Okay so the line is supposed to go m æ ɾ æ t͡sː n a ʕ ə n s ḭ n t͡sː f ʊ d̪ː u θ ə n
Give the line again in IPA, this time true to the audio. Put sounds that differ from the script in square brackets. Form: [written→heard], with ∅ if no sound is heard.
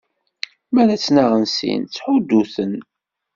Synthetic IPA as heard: m æ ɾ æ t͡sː n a [ʕ→ʁ] ə n s ḭ n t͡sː [f→ħ] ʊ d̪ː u θ ə n